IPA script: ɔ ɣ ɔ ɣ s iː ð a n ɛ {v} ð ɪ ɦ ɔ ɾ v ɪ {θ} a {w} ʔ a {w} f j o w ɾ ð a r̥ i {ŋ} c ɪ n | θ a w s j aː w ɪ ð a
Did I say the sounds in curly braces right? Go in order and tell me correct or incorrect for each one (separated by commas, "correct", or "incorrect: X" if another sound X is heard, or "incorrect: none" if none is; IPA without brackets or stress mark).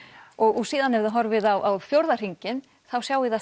correct, incorrect: ð, correct, correct, incorrect: ɲ